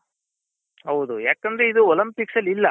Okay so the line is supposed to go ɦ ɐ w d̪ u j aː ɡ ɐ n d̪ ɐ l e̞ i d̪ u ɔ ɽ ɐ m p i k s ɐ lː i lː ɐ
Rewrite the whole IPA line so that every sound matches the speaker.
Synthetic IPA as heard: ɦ ɐ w d̪ u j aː k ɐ n d̪ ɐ ɾ e̞ i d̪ u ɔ l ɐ m p i k s ɐ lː i lː ɐ